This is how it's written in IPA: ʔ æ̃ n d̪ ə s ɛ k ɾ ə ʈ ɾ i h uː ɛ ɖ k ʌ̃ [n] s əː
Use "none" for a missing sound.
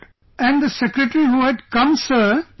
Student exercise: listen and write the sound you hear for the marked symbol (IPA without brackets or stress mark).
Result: m